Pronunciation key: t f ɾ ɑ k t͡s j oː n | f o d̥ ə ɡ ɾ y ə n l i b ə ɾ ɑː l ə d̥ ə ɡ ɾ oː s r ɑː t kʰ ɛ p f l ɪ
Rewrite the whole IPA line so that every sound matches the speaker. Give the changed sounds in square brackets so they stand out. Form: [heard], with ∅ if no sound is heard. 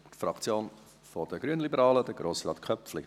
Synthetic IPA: t f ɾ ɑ k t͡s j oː n | f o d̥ ə ɡ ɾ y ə n l i b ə ɾ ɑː l ə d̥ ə ɡ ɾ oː s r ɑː t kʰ [œ] p f l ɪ